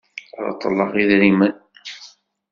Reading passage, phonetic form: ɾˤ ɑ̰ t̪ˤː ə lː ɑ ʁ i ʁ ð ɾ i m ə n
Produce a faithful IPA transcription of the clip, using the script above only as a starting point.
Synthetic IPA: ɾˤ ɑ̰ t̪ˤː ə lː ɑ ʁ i ð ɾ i m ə n